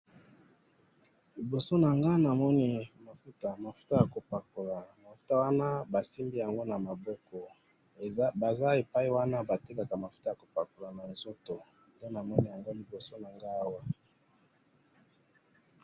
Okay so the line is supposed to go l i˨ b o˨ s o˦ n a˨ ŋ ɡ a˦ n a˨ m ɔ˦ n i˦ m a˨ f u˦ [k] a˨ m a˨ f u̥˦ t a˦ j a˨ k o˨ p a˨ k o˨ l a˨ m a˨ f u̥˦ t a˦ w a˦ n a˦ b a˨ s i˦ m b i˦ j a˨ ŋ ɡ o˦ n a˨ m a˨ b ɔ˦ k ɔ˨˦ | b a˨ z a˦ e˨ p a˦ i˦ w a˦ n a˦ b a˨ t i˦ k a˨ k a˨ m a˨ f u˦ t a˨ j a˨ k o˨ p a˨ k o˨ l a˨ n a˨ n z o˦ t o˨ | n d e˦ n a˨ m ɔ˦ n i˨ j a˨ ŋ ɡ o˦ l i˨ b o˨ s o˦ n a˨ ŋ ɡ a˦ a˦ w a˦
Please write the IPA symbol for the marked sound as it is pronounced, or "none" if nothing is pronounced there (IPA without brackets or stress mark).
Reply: t